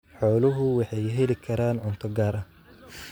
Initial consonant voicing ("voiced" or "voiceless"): voiceless